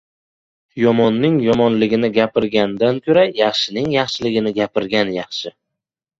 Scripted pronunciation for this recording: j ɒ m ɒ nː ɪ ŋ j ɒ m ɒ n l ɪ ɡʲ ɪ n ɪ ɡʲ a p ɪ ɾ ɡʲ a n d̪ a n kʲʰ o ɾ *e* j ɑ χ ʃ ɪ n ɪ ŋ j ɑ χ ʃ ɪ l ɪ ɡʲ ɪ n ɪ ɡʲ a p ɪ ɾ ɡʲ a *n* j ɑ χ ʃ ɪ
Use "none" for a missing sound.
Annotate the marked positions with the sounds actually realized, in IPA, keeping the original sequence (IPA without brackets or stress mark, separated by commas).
a, n